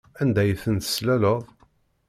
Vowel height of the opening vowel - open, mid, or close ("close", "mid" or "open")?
open